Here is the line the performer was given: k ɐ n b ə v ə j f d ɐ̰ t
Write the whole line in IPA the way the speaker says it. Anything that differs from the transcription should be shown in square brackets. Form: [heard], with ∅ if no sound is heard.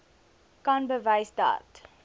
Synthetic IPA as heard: k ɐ n b ə v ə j [s] d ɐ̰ t